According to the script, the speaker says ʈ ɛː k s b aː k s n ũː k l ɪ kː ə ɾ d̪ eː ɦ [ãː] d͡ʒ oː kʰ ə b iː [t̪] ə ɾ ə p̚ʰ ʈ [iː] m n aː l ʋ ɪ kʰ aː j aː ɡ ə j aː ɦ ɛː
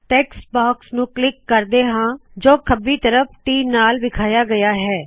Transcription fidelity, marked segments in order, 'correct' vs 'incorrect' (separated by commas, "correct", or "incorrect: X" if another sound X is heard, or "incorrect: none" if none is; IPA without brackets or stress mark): correct, correct, correct